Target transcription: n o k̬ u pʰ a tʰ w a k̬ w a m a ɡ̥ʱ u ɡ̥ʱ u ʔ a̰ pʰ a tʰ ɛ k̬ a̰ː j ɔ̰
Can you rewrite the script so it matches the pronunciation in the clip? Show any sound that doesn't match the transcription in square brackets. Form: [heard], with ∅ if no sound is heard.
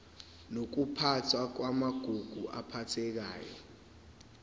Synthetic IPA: n o k̬ u pʰ a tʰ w a k̬ w a m a ɡ̥ʱ u ɡ̥ʱ u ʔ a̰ pʰ a tʰ ɛ k̬ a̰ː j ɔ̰